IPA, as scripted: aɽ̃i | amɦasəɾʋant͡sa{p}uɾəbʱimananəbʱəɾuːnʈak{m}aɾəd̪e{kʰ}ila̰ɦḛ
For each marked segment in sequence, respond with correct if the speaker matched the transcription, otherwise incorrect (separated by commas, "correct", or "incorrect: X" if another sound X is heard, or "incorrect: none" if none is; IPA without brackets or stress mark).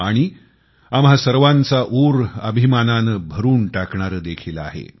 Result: incorrect: ʔ, incorrect: ɳ, correct